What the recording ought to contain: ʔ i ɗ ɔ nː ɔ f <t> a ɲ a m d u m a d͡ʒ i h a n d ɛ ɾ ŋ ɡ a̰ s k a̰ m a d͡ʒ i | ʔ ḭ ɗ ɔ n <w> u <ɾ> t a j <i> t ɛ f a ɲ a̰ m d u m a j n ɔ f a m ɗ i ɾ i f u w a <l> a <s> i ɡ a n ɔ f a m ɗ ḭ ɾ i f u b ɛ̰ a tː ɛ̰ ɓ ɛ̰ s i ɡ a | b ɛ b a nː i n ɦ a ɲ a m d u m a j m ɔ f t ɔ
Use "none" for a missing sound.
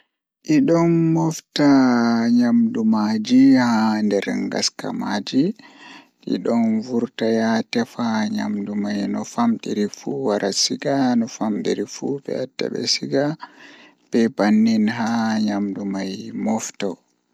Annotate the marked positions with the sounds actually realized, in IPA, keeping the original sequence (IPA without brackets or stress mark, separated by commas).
t, v, ɾ, a, ɾ, s